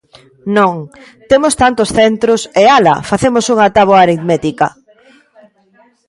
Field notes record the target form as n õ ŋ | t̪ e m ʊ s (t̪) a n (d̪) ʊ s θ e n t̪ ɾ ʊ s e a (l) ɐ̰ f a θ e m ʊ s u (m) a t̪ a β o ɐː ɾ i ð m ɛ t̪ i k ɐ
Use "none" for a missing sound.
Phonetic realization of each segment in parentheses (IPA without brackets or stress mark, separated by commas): t̪, t̪, l, ŋ